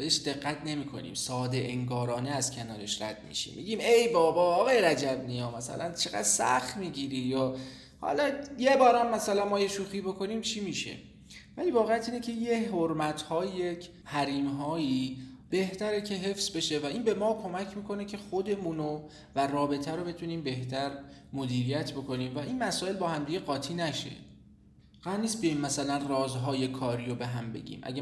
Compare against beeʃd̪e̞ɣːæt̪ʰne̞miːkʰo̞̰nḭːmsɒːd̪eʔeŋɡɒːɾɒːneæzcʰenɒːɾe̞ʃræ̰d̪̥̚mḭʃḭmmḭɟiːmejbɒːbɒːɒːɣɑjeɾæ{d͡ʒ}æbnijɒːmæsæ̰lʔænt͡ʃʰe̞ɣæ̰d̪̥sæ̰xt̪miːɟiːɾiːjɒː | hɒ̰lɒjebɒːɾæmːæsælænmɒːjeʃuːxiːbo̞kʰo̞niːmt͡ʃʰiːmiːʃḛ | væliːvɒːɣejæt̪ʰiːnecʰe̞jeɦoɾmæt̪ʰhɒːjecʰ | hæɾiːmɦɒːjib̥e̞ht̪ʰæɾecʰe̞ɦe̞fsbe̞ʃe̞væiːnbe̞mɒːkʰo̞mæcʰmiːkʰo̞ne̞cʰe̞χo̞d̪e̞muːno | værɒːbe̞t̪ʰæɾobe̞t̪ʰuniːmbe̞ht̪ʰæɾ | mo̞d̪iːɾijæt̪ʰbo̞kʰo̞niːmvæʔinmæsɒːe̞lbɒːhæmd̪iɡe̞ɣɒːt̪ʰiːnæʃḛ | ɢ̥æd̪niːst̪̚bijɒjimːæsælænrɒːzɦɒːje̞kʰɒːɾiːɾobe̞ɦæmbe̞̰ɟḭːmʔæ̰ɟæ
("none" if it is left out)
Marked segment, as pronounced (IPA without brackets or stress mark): d͡ʒ